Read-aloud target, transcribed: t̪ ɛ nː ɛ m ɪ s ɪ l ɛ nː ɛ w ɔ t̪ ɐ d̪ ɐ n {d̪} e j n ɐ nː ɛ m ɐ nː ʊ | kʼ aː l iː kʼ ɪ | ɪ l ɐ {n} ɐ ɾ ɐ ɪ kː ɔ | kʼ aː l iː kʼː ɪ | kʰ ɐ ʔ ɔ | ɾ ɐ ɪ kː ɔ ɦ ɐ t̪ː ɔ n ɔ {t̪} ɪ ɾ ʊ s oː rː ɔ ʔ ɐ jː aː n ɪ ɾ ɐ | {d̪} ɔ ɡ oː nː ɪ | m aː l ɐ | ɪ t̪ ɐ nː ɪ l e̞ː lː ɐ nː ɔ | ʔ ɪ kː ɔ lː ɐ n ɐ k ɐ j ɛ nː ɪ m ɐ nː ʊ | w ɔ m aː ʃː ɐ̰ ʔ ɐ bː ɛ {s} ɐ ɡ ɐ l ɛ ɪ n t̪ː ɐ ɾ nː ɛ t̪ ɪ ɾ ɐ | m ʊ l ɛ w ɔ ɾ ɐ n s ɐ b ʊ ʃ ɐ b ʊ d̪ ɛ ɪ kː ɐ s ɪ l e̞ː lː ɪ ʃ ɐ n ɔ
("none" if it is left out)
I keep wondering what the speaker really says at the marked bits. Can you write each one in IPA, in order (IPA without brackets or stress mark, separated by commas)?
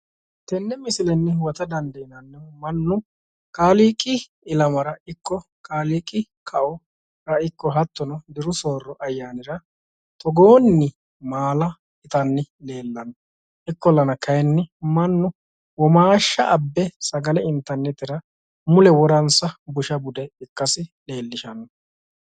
d̪, m, d̪, t̪, s